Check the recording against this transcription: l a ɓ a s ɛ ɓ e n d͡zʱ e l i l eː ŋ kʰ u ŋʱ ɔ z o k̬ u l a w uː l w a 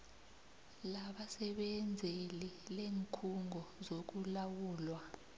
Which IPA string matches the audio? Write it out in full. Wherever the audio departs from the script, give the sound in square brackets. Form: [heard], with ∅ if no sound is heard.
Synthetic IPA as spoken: l a ɓ a s ɛ ɓ [ɛ] n d͡zʱ e l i l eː ŋ kʰ u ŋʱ ɔ z o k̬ u l a w uː l w a